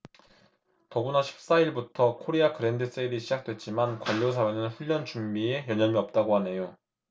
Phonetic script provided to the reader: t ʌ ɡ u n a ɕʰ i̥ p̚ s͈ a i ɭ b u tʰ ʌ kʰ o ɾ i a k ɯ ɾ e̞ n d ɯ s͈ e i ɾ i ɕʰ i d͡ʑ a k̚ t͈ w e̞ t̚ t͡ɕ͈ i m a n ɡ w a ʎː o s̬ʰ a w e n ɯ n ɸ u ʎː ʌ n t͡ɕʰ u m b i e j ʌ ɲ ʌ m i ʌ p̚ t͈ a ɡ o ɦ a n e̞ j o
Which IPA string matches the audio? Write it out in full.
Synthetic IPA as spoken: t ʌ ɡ u n a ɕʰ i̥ p̚ s͈ a i ɭ b u tʰ ʌ kʰ o ɾ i a k ɯ ɾ e̞ n d ɯ s͈ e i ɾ i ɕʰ i d͡ʑ a k̚ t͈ w e̞ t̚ t͡ɕ͈ i m a n k w a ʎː o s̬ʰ a w e n ɯ n ɸ u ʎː ʌ n t͡ɕ u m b i e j ʌ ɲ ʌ m i ʌ p̚ t͈ a ɡ o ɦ a n e̞ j o

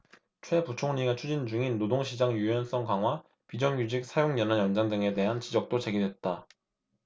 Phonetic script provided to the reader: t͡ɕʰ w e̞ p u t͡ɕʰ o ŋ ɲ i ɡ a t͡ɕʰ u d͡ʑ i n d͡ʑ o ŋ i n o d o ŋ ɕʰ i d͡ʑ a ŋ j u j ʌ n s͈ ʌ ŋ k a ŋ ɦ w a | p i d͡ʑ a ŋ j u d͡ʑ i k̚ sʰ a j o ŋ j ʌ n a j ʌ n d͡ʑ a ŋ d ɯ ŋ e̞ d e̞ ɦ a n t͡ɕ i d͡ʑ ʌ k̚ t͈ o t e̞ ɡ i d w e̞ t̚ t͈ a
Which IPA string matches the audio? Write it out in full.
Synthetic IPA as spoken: t͡ɕʰ w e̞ p u t͡ɕʰ o ŋ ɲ i ɡ a t͡ɕʰ u d͡ʑ i n d͡ʑ u ŋ i nː o d o ŋ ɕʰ i d͡ʑ a ŋ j u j ʌ n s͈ ʌ ŋ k a ŋ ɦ w a | p i d͡ʑ ʌ ŋ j u d͡ʑ i k̚ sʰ a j o ŋ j ʌ n a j ʌ n d͡ʑ a ŋ d ɯ ŋ e̞ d e̞ ɦ a n t͡ɕ i d͡ʑ ʌ k̚ t͈ o t͡ɕ e̞ ɡ i d w e̞ t̚ t͈ a

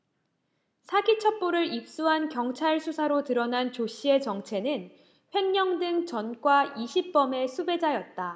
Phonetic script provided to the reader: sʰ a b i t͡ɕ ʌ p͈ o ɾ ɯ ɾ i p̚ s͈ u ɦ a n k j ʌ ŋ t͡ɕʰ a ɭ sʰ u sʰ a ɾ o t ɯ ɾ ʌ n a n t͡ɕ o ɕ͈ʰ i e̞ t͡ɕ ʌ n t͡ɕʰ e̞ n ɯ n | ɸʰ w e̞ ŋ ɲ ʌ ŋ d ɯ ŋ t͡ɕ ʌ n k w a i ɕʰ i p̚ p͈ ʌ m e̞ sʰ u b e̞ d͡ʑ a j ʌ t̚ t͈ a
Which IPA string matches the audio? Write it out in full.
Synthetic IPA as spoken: sʰ a ɡ i t͡ɕʰ ʌ p͈ o ɾ ɯ ɾ i p̚ s͈ u ɦ a n k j ʌ ŋ t͡ɕʰ a ɭ sʰ u sʰ a ɾ o t ɯ ɾ ʌ n a n t͡ɕ o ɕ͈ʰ i e̞ t͡ɕ ʌ ŋ t͡ɕʰ e̞ n ɯ n | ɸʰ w e̞ ŋ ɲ ʌ ŋ d ɯ ŋ t͡ɕ ʌ n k w a i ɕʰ i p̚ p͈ ʌ m e̞ sʰ u b e̞ d͡ʑ a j ʌ t̚ t͈ a

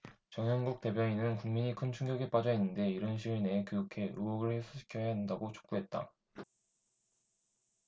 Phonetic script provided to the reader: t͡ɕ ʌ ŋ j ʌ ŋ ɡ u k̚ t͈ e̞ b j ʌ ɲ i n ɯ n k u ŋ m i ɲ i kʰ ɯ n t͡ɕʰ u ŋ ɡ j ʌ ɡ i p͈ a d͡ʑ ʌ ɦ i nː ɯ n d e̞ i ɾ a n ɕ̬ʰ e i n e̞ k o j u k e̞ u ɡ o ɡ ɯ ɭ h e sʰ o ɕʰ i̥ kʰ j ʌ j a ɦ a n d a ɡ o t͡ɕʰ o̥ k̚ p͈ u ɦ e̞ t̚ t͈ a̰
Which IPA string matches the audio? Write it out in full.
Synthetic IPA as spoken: t͡ɕ ʌ ŋ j ʌ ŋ ɡ u k̚ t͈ e̞ b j ʌ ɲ i n ɯ n k u ŋ m i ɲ i kʰ ɯ n t͡ɕʰ u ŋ ɡ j ʌ ɡ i p͈ a d͡ʑ ʌ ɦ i nː ɯ n d e̞ i ɾ ʌ n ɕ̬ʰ i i n e̞ k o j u kʰ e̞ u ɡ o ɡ ɯ ɭ h e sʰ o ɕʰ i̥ kʰ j ʌ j a ɦ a n d a ɡ o t͡ɕʰ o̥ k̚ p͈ u ɦ e̞ t̚ t͈ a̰

